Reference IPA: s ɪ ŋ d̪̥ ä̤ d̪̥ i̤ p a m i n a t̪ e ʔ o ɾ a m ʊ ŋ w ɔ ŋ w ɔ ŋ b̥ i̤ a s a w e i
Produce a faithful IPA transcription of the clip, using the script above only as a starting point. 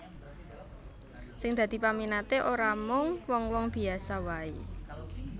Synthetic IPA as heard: s ɪ ŋ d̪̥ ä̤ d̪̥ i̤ p a m i n a t̪ e ʔ o ɾ a m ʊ ŋ w ɔ ŋ w ɔ ŋ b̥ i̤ a s a w a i